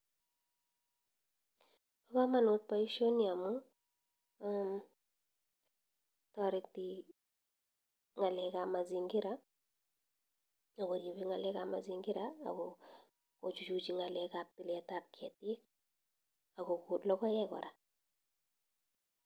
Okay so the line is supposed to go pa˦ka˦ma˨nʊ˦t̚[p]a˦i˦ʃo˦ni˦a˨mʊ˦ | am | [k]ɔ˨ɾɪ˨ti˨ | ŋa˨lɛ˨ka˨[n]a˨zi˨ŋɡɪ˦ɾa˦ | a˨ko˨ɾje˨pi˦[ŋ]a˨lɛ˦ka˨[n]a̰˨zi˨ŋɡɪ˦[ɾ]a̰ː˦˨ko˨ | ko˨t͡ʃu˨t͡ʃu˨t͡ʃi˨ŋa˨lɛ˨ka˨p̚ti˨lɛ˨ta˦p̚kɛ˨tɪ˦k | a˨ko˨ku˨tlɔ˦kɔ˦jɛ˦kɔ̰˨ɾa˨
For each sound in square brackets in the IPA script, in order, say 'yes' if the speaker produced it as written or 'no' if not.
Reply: yes, no, no, yes, no, yes

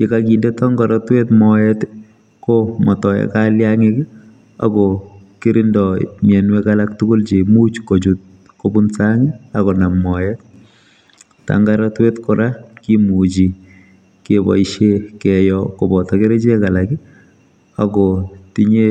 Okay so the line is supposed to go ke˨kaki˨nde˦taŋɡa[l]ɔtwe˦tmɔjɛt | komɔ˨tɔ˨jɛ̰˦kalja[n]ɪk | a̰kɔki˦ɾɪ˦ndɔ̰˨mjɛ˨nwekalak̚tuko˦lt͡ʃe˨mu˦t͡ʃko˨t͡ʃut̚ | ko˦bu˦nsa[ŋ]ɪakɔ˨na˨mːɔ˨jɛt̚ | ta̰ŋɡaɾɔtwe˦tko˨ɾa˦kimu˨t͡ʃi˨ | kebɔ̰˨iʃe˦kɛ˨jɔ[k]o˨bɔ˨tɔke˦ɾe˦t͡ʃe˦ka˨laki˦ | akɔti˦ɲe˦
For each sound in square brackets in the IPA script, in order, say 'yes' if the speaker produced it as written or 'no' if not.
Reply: no, no, yes, yes

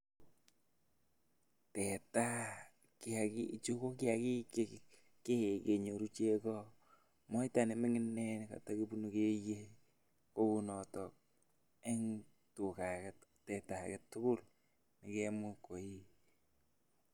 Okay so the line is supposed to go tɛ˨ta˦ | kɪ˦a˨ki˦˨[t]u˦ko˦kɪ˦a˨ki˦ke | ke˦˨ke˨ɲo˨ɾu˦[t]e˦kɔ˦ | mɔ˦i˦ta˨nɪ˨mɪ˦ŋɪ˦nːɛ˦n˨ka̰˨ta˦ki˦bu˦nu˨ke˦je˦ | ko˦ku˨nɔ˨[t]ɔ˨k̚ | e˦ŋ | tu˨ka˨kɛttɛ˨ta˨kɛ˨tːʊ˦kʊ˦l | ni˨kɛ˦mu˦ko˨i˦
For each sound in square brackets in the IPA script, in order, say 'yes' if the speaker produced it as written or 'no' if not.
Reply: no, no, yes

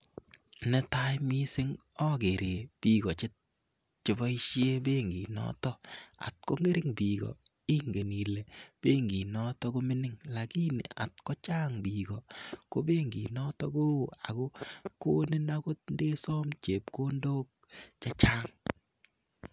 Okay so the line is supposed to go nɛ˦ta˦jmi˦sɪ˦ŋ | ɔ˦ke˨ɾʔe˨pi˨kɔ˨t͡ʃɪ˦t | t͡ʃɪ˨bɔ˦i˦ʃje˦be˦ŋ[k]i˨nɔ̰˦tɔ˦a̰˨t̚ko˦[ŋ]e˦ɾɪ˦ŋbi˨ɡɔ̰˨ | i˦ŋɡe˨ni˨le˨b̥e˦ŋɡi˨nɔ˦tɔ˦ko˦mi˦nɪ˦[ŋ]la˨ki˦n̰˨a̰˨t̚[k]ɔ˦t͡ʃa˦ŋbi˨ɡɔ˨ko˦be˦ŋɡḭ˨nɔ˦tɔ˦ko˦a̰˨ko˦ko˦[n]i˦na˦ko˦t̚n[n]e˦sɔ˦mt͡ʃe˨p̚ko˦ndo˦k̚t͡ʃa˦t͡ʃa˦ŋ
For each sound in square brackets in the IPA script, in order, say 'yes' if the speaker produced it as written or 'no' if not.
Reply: no, yes, yes, yes, yes, no

